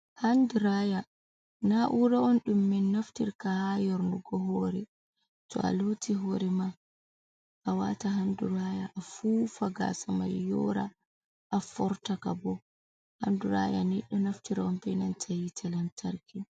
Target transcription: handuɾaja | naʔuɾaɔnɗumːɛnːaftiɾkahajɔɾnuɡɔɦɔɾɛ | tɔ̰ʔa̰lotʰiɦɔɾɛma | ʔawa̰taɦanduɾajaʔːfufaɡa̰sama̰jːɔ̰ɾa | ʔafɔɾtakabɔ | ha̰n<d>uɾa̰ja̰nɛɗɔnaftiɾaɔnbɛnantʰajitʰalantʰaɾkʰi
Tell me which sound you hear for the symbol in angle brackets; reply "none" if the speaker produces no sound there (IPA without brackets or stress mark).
d